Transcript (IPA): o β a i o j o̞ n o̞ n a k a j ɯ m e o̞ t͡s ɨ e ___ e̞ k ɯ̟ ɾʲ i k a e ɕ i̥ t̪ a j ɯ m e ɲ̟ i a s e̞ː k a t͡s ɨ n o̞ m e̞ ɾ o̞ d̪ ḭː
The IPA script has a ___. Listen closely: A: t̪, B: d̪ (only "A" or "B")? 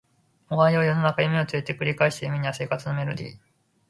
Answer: A